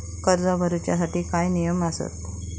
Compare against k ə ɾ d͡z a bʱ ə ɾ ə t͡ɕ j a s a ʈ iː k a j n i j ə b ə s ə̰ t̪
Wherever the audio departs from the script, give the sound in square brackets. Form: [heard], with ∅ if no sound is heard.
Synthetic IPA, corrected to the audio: k ə ɾ d͡z a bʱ ə ɾ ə t͡ɕ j a s a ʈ iː k a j n i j ə [m] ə s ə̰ t̪